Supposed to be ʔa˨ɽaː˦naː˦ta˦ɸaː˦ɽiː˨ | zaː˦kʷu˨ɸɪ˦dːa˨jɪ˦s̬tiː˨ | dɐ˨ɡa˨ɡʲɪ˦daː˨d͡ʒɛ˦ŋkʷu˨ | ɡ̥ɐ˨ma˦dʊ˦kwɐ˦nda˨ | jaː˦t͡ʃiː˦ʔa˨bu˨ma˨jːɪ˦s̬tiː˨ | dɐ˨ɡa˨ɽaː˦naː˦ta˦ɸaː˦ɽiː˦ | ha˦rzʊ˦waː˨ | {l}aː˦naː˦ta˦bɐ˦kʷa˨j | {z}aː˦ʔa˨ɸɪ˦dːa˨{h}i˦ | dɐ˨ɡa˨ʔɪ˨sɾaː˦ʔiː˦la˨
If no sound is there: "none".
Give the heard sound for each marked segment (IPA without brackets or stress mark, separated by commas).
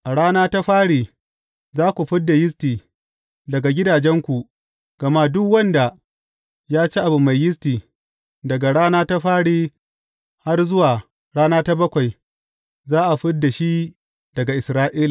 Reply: ɽ, z, ʃ